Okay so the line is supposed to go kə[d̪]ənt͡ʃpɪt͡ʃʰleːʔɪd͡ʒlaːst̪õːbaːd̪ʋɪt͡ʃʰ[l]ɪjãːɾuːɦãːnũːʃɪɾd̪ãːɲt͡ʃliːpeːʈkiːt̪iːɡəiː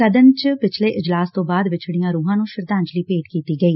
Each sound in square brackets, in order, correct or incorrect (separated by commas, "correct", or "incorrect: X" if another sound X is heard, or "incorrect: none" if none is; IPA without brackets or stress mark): correct, incorrect: ɽ